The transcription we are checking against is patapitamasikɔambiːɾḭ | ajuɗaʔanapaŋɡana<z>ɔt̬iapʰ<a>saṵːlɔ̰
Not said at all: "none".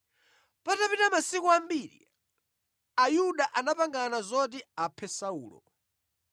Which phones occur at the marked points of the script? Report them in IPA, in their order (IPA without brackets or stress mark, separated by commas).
z, ɛ